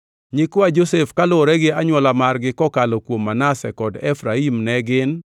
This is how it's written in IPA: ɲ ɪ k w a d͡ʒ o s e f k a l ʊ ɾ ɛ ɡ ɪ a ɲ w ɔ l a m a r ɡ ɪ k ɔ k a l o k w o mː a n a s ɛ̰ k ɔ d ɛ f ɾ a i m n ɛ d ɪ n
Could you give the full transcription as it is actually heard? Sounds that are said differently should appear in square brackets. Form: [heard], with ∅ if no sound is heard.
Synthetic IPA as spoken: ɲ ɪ k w a d͡ʒ o s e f k a l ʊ ɾ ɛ ɡ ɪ a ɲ w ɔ l a m a r ɡ ɪ k ɔ k a l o k w o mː a n a s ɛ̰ k ɔ d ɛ f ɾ a i m n ɛ [ɡ] ɪ n